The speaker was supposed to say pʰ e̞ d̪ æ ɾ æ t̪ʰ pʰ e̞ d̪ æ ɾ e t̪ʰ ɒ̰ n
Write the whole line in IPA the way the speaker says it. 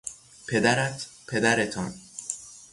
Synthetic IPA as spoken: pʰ e̞ d̪ æ ɾ æ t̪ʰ pʰ e̞ d̪ æ ɾ e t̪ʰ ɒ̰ n